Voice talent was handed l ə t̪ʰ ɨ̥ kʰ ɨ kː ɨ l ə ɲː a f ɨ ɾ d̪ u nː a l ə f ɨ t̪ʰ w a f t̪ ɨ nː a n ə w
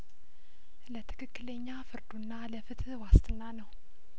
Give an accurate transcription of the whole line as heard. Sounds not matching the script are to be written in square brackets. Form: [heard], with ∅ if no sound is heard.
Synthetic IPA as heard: l ə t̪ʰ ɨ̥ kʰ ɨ kː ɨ l ə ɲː a f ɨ ɾ d̪ u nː a l ə f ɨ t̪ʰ w a [s] t̪ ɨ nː a n ə w